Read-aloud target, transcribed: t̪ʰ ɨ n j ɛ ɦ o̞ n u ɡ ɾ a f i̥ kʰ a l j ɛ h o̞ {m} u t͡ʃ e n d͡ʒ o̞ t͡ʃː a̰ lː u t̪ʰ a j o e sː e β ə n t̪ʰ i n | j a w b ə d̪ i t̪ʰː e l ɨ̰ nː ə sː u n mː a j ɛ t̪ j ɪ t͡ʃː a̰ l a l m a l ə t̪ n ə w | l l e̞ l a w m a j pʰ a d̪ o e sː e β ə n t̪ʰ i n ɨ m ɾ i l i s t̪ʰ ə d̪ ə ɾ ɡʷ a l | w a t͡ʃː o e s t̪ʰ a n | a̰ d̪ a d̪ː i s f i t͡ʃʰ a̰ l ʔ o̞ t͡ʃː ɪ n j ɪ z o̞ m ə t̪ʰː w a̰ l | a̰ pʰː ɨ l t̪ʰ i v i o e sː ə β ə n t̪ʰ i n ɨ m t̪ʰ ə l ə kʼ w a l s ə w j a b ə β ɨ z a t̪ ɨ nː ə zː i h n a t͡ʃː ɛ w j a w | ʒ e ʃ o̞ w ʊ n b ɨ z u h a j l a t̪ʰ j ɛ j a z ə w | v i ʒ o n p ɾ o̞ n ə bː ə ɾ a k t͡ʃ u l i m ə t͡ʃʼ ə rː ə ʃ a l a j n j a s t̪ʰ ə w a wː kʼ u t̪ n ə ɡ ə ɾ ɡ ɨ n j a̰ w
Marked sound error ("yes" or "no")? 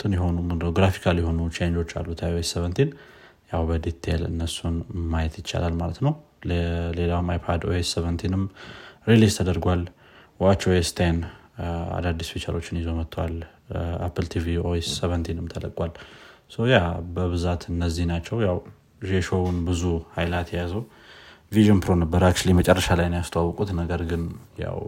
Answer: yes